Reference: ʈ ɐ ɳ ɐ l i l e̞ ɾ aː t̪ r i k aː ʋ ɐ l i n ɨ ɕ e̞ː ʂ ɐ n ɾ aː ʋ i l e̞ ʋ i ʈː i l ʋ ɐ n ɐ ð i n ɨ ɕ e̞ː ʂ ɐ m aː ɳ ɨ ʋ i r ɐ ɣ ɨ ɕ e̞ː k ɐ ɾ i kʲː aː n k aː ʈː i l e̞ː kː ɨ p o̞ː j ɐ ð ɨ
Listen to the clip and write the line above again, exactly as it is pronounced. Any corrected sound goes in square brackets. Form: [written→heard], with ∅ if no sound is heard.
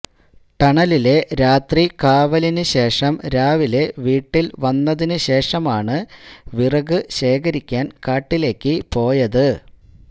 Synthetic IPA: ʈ ɐ ɳ ɐ l i l e̞ ɾ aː t̪ r i k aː ʋ ɐ l i n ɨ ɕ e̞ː ʂ ɐ [n→m] ɾ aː ʋ i l e̞ ʋ [i→iː] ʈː i l ʋ ɐ [n→nː] ɐ ð i n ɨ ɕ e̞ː ʂ ɐ m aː ɳ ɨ ʋ i r ɐ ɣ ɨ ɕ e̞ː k ɐ ɾ i kʲː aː n k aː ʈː i l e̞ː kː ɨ p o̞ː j ɐ ð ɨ